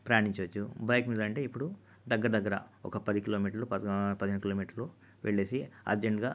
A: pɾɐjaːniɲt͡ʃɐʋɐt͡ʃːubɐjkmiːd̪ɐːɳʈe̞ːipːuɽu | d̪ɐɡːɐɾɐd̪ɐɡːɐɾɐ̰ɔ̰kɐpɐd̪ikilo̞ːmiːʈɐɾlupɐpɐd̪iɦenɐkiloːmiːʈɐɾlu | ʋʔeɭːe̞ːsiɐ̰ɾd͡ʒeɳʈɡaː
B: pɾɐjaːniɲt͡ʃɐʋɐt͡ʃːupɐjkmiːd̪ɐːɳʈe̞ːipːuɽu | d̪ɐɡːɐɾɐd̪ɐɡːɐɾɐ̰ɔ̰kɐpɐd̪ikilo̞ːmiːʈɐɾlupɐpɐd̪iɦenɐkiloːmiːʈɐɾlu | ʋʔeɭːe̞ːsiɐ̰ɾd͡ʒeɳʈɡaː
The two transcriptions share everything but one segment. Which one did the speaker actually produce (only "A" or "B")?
A